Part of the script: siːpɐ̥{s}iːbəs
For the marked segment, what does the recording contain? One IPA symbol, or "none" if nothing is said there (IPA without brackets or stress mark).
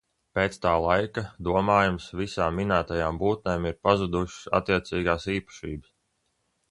ʃ